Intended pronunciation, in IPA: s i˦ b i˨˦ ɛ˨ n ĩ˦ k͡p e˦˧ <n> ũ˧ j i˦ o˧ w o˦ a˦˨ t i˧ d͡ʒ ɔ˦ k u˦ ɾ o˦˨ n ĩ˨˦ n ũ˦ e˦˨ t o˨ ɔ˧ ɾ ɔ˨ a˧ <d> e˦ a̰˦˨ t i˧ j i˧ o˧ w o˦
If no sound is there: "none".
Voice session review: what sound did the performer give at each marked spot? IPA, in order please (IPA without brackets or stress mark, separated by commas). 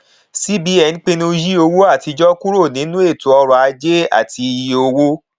n, d͡ʒ